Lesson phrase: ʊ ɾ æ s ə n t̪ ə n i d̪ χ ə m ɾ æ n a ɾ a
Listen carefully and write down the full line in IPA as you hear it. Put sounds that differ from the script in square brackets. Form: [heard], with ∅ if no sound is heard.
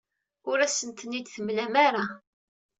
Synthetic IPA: ʊ ɾ æ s ə n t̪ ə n i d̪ [θ] ə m [l] æ [m] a ɾ a

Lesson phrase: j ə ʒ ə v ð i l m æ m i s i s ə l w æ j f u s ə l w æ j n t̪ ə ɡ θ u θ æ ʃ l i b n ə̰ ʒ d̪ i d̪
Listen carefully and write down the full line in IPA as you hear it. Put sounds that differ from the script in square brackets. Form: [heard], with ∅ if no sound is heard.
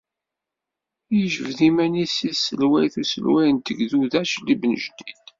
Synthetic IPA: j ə ʒ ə v ð i [∅] m æ [n] i s i s ə l w æ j [θ] u s ə l w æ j n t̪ ə ɡ [ð] u [ð] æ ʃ l i b n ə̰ ʒ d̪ i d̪

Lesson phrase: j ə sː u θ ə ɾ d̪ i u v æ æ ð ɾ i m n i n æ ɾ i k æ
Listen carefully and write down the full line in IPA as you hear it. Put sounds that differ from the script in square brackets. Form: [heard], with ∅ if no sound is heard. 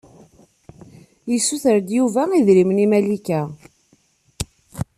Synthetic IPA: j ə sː u θ ə ɾ d̪ [j] u v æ [i] ð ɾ i m n i [m] æ [l] i k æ

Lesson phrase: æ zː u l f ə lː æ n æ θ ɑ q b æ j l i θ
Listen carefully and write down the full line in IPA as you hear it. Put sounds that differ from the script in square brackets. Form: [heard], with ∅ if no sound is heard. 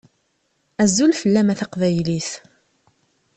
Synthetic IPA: æ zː u l f ə lː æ [m] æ θ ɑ q [v] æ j l i θ

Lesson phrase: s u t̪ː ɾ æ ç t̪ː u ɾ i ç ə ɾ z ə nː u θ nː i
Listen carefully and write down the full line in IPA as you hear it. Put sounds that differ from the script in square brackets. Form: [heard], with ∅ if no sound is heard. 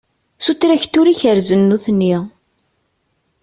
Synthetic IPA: s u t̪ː ɾ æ ç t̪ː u ɾ i ç ə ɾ z ə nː u θ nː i

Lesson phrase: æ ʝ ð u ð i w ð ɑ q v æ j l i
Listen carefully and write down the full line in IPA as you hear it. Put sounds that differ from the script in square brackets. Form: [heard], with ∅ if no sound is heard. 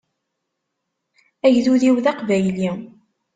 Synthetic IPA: æ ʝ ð u ð i w ð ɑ q v æ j l i

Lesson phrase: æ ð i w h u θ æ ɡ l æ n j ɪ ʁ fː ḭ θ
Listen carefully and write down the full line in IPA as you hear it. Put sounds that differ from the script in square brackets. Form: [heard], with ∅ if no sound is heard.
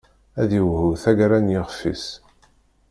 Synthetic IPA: æ ð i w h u θ æ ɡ [ɾ] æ n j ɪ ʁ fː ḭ [s]

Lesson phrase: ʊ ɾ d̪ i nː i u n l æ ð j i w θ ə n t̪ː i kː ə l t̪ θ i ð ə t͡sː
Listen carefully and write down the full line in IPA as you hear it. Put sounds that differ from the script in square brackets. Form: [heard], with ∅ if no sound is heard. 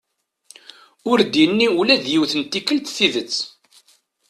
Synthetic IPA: ʊ ɾ d̪ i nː i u [∅] l æ ð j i w θ ə n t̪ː i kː ə l t̪ θ i ð ə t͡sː

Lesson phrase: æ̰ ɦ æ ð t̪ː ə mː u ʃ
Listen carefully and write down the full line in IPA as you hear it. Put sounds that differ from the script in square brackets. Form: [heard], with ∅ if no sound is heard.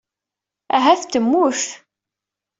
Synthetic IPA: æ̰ ɦ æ [θ] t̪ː ə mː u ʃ

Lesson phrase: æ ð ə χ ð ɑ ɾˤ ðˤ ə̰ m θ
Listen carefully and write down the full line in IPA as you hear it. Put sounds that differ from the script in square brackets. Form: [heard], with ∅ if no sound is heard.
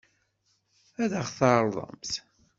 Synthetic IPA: æ ð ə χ [θ] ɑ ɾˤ ðˤ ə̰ m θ

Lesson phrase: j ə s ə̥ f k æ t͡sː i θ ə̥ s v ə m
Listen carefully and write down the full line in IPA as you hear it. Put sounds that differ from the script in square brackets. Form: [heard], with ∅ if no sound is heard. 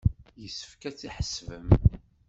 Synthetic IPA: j ə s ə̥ f k æ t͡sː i [ħ] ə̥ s v ə m

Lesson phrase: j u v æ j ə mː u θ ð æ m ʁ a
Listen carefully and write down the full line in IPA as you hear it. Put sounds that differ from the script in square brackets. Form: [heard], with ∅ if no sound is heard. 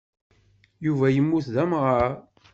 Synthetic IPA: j u v æ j ə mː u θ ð æ m ʁ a

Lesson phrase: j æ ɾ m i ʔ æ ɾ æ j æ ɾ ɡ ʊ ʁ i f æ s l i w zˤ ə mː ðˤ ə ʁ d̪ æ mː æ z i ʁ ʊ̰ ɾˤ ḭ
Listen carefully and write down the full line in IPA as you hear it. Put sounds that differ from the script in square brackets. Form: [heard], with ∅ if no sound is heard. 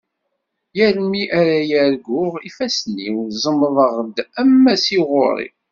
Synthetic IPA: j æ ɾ m i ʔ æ ɾ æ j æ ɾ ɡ ʊ ʁ i f æ s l i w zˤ ə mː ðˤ ə ʁ d̪ æ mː æ [s] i ʁ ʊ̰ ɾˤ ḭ

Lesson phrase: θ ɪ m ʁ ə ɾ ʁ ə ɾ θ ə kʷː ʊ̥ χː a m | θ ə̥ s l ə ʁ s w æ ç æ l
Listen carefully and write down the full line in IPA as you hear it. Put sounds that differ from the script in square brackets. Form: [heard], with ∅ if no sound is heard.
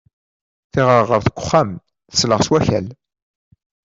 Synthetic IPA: θ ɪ [∅] ʁ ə ɾ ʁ ə ɾ θ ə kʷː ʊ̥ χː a m | θ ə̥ s l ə ʁ s w æ ç æ l

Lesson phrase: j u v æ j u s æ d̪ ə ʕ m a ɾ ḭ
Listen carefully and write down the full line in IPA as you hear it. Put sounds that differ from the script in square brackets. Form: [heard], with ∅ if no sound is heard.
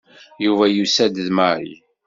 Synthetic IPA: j u v æ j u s æ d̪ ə [ð] m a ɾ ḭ

